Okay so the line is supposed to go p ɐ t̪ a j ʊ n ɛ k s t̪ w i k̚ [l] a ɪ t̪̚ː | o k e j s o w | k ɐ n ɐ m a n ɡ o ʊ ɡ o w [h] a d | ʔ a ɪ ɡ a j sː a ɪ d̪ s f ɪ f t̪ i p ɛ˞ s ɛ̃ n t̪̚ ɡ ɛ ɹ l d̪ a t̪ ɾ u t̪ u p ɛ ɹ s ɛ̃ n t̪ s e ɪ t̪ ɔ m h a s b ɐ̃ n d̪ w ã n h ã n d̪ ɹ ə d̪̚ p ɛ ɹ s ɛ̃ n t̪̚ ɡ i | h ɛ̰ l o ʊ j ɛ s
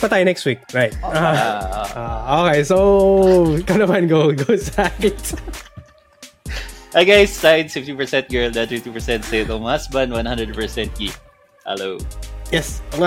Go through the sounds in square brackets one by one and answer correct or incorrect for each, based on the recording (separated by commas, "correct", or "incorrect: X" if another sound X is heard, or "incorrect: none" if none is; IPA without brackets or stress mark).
incorrect: ɹ, incorrect: s